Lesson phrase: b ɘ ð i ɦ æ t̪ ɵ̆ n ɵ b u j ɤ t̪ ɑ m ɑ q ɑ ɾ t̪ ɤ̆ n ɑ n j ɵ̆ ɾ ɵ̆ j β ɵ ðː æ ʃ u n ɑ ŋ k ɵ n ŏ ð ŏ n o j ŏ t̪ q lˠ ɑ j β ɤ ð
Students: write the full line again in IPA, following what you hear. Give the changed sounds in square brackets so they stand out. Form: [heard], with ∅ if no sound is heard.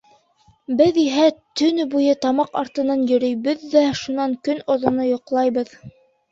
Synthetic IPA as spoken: b ɘ ð i ɦ æ t̪ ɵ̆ n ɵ b u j ɤ t̪ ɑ m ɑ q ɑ ɾ t̪ ɤ̆ n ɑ n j ɵ̆ ɾ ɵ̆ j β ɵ ðː æ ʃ u n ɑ ŋ k ɵ n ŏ ð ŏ n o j ŏ [∅] q lˠ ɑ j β ɤ ð